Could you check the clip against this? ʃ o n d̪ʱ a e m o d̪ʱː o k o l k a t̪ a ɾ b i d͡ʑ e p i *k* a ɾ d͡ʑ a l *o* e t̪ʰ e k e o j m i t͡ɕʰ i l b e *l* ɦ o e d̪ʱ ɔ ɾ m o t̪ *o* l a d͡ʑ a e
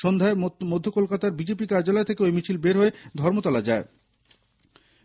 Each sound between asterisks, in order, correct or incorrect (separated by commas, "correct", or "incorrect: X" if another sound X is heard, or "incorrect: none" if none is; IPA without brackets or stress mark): correct, incorrect: ɔ, incorrect: ɾ, incorrect: ɔ